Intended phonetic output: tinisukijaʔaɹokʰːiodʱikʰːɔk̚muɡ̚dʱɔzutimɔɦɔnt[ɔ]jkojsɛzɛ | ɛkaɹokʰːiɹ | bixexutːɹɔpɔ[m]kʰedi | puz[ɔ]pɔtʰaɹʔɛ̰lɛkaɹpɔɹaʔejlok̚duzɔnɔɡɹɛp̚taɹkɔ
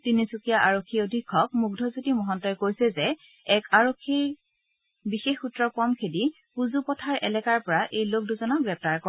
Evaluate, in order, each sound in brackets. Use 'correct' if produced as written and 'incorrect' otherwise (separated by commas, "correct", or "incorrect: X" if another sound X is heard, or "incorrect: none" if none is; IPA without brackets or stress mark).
correct, correct, incorrect: u